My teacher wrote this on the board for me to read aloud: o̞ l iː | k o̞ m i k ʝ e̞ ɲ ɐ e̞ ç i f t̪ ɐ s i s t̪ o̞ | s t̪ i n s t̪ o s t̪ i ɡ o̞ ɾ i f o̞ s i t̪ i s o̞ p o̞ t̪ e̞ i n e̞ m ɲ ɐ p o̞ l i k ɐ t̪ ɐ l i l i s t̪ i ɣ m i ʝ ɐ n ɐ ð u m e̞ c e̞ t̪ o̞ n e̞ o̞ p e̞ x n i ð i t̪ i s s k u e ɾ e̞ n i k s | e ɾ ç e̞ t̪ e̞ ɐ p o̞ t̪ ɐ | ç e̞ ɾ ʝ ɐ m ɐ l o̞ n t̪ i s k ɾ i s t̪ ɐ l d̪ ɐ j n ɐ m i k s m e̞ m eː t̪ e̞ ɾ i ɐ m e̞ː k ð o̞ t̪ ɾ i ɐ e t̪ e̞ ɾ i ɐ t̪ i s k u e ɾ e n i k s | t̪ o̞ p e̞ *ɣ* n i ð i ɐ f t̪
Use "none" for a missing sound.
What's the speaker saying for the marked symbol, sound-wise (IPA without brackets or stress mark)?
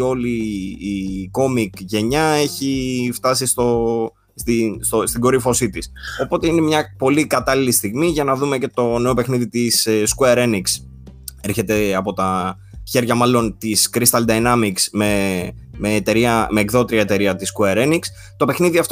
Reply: x